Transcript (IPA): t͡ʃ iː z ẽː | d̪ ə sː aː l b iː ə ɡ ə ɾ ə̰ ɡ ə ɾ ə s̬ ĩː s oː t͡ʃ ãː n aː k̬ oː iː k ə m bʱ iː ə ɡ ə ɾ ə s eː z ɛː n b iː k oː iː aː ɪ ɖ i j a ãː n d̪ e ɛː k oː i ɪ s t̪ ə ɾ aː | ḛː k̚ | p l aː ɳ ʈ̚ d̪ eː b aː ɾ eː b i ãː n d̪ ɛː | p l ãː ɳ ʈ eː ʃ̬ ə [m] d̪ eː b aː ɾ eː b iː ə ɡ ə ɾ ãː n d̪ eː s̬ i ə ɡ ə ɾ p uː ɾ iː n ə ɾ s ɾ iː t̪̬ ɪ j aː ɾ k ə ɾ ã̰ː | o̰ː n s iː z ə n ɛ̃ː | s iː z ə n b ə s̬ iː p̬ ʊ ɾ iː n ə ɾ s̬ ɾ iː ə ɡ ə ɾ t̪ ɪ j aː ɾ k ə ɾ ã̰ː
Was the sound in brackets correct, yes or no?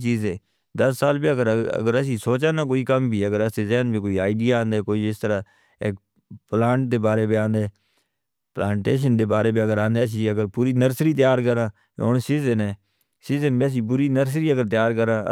no